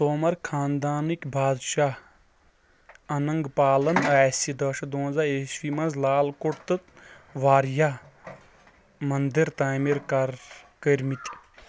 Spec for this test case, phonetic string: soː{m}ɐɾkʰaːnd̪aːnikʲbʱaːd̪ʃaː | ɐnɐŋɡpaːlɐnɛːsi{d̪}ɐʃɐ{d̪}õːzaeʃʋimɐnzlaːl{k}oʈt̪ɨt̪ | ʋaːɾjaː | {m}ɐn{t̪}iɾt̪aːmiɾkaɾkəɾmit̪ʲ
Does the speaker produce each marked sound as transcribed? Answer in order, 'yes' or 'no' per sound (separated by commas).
yes, yes, yes, yes, yes, no